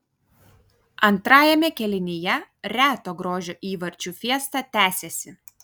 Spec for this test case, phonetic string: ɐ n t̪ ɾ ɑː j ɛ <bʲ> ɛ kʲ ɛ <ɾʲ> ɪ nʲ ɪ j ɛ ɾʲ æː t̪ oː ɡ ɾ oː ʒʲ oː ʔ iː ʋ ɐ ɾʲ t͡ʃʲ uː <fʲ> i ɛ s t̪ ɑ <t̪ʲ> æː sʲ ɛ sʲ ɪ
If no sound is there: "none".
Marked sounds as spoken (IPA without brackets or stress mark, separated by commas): mʲ, lʲ, fʲ, t̪ʲ